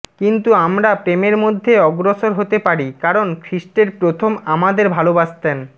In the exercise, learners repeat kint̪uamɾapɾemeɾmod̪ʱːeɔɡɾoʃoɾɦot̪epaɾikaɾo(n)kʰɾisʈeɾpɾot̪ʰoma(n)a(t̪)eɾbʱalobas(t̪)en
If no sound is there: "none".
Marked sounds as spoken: n, m, d̪, t̪

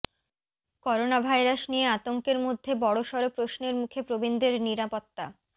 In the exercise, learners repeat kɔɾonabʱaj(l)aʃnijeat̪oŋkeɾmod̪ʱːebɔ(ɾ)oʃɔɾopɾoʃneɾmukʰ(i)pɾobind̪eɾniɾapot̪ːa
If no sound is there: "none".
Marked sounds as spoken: ɾ, ɽ, e

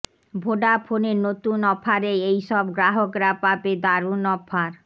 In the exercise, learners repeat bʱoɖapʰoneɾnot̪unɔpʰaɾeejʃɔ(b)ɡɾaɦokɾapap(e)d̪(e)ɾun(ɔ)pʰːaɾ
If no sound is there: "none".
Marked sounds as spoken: b, e, a, ɔ

